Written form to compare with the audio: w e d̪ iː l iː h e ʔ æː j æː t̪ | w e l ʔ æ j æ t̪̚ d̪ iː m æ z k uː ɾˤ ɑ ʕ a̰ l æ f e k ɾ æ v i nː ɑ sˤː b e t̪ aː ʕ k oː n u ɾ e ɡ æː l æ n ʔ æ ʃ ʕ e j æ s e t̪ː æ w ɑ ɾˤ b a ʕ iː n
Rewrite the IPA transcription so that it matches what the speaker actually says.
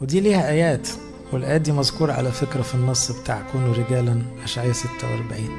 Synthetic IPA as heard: w e d̪ iː l iː h æ ʔ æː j æː t̪ | w e l ʔ æ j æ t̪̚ d̪ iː m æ z k uː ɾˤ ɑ ʕ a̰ l æ f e k ɾ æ f i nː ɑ sˤː b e t̪ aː ʕ k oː n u ɾ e ɡ æː l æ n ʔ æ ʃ ʕ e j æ s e t̪ː æ w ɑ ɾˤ b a ʕ iː n